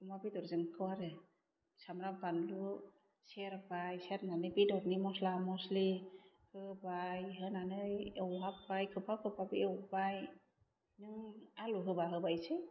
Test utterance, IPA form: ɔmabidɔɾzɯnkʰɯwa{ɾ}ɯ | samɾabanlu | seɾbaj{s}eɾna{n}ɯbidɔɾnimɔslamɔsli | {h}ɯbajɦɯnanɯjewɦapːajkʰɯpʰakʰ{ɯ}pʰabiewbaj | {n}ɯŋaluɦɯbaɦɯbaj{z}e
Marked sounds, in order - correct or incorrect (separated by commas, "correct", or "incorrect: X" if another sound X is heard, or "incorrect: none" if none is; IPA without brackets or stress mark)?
correct, correct, correct, correct, correct, correct, incorrect: s